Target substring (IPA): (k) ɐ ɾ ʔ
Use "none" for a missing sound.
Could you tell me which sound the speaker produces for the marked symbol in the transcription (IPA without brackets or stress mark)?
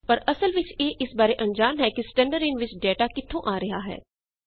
p